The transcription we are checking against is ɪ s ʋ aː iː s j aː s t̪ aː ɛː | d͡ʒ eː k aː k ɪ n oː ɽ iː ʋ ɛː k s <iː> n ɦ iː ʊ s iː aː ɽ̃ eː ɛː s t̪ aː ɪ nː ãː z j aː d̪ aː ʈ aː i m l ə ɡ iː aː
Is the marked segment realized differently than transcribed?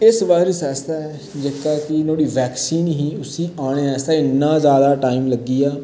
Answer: no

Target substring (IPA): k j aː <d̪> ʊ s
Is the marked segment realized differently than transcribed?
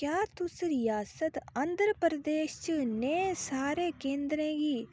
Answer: yes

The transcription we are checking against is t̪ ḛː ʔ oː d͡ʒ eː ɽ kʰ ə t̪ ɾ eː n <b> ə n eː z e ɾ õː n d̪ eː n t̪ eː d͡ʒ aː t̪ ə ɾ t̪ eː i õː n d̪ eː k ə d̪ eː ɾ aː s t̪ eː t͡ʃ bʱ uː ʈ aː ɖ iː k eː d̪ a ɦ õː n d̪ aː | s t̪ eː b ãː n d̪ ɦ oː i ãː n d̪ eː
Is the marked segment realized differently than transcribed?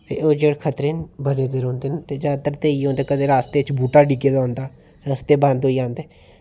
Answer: no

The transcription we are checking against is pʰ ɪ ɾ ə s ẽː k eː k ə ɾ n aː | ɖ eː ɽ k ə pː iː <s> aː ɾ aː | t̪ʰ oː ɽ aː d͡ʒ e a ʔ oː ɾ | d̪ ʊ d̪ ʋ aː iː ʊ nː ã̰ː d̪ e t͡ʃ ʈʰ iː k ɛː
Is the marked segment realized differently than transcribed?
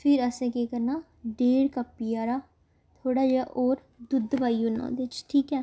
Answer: yes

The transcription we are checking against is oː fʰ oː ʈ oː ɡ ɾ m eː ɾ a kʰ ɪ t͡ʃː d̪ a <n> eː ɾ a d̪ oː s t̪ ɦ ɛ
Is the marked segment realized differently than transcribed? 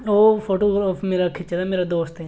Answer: yes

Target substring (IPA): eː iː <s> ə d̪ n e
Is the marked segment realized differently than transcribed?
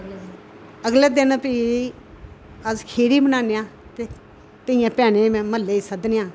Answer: no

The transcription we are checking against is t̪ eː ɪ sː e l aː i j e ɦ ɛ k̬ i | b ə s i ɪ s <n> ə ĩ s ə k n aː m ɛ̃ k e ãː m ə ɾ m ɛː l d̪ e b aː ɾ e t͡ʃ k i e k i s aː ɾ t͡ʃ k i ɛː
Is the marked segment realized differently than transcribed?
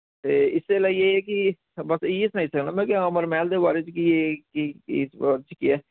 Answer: no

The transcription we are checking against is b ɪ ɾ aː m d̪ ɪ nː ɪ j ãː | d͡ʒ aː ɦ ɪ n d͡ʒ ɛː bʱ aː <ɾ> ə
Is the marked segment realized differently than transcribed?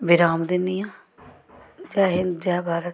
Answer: no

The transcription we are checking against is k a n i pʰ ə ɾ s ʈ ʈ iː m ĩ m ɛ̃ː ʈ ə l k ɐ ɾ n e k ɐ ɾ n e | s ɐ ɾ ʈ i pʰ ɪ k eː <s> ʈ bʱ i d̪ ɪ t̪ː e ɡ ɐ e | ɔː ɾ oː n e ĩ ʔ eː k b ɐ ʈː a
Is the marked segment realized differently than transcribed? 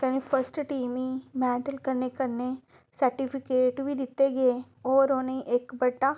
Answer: yes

